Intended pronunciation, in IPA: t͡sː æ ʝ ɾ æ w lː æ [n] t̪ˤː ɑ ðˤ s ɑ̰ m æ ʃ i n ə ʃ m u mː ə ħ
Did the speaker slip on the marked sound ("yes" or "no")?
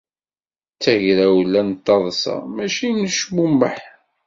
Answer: no